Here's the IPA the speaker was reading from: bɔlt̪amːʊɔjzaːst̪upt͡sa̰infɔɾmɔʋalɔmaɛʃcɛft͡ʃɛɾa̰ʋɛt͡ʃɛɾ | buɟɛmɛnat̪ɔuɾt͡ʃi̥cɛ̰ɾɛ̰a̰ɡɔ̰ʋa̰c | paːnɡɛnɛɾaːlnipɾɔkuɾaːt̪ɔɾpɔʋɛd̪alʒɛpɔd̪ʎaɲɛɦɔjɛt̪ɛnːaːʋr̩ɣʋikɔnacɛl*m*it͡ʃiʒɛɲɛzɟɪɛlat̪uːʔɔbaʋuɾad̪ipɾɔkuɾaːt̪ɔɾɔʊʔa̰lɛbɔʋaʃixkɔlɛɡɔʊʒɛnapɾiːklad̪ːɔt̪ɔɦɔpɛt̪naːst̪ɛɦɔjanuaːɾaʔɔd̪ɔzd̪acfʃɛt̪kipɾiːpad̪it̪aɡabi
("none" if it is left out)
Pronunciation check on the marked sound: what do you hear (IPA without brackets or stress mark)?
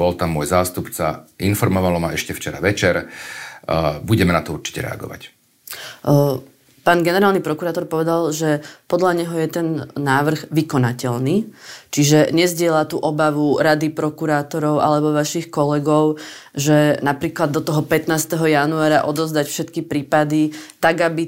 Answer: n